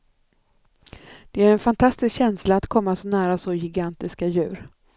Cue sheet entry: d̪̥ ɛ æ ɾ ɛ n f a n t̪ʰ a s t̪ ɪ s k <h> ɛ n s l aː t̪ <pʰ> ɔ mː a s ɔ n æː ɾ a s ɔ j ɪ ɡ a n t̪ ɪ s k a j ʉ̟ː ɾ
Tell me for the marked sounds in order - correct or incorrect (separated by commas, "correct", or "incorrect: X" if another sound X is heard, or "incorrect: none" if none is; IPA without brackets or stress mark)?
incorrect: ɕ, incorrect: kʰ